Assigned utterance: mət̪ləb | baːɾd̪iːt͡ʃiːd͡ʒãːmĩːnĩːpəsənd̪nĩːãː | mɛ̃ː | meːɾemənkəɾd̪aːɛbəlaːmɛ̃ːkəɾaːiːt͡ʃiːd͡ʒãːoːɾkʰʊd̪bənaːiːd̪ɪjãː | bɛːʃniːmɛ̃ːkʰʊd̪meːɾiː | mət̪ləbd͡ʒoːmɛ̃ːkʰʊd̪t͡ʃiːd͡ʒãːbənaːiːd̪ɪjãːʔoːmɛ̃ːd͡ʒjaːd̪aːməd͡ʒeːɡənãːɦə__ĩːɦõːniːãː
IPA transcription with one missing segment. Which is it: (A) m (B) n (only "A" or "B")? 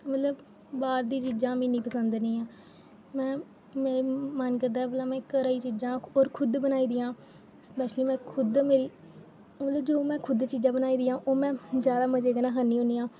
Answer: B